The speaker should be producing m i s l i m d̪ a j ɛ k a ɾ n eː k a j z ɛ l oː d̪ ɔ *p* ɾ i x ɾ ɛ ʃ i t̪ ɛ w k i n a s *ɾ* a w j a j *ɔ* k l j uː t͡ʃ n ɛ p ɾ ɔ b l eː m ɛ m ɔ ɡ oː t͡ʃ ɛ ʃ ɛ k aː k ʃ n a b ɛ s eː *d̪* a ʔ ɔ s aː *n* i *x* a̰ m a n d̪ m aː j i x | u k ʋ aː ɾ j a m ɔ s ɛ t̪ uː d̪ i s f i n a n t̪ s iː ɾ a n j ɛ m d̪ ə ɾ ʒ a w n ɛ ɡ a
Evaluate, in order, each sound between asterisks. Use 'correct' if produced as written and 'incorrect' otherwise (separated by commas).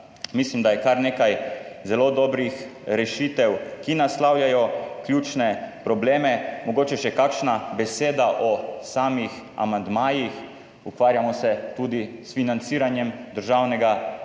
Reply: incorrect, incorrect, correct, correct, incorrect, correct